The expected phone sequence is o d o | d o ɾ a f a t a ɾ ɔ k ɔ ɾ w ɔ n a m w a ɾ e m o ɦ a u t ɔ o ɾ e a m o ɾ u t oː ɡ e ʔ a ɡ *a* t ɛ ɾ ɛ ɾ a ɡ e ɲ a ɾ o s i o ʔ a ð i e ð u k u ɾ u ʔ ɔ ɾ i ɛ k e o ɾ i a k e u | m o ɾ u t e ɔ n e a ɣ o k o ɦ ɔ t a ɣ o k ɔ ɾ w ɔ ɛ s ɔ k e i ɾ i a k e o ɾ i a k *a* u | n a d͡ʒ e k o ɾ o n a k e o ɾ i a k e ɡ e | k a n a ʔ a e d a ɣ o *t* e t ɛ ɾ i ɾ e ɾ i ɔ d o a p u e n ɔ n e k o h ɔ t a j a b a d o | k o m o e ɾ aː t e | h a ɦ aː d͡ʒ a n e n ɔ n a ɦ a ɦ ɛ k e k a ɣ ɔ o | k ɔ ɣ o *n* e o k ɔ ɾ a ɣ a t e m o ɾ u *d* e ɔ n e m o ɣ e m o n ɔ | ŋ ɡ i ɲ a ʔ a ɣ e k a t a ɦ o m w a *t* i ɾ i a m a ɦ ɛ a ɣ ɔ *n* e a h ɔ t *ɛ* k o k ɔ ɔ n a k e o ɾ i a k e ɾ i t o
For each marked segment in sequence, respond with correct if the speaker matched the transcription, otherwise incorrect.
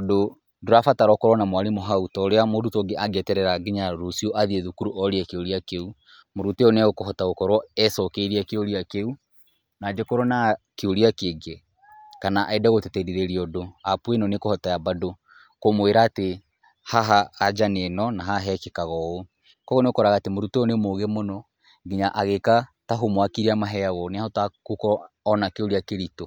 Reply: incorrect: ɛ, incorrect: e, correct, correct, incorrect: t, incorrect: k, correct, incorrect: a

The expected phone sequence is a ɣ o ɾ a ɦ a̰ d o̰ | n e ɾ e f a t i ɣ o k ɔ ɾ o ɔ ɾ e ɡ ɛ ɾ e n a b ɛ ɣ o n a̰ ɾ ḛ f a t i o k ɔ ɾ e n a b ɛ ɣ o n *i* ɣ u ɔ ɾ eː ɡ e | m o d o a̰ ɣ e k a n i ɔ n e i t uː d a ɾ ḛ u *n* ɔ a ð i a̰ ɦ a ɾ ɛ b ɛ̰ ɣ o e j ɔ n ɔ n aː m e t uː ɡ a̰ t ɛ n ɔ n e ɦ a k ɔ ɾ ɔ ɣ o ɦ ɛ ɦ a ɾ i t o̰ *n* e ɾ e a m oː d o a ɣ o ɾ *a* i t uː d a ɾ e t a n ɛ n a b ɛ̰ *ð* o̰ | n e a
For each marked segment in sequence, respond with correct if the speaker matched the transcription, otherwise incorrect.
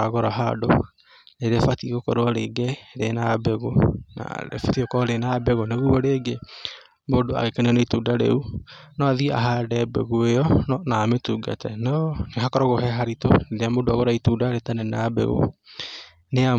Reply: incorrect: e, correct, correct, correct, incorrect: ɣ

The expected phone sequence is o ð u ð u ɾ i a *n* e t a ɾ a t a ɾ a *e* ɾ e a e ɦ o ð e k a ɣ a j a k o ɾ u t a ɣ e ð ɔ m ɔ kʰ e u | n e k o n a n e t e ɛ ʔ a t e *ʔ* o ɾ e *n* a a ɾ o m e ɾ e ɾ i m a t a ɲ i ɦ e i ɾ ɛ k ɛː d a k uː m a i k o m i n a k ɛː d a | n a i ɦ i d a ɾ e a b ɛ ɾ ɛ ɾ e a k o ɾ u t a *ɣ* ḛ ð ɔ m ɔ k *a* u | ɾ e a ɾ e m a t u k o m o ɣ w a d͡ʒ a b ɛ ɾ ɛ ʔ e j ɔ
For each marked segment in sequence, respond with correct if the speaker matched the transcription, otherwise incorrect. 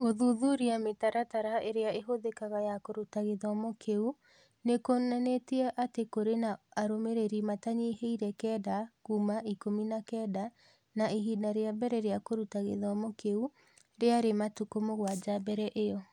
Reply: incorrect: m, correct, incorrect: k, correct, correct, incorrect: e

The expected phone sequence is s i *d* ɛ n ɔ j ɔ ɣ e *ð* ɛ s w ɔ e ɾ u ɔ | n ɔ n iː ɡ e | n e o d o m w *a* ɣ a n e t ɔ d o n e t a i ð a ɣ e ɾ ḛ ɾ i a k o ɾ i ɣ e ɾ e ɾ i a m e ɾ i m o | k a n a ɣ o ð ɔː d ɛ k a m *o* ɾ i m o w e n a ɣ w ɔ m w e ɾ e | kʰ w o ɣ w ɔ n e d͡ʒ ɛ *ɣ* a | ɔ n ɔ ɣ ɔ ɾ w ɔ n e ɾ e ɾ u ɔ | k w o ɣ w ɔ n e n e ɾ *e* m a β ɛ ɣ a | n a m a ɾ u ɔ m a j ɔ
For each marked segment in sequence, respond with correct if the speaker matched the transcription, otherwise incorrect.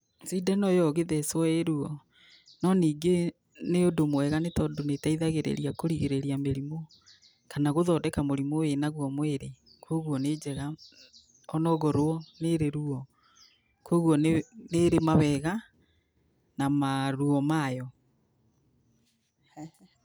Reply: correct, correct, incorrect: ɛ, correct, correct, correct

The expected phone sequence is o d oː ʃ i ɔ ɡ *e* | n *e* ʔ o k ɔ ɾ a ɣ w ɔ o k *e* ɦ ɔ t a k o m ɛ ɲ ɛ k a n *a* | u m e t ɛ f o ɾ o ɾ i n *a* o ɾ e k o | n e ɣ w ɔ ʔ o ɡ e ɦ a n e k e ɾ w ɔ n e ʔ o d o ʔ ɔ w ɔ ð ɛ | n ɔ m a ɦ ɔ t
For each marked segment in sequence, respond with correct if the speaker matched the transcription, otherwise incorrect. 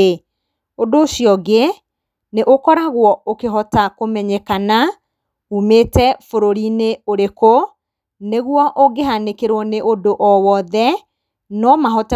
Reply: correct, correct, correct, correct, incorrect: e

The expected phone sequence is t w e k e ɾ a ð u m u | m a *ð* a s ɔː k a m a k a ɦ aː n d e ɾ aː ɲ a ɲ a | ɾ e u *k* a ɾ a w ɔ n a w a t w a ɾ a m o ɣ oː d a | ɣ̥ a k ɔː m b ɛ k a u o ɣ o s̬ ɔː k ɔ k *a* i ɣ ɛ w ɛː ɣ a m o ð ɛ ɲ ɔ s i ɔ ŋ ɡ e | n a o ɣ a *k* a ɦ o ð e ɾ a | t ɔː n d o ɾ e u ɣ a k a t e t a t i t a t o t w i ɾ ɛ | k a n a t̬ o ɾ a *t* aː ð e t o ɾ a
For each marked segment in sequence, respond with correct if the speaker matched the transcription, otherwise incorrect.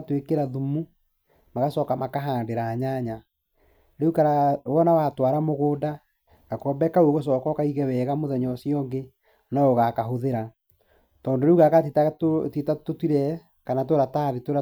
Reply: incorrect: ɣ, correct, correct, correct, correct

